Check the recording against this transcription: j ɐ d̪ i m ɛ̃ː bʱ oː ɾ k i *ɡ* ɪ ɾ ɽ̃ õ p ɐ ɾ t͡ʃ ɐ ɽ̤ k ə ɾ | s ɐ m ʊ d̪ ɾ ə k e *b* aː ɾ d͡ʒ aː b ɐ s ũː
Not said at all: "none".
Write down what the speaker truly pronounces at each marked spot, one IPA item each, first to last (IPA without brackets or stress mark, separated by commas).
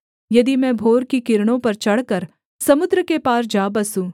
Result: k, p